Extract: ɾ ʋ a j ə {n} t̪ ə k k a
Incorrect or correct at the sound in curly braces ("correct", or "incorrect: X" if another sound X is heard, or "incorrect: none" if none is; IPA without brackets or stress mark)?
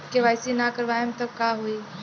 incorrect: m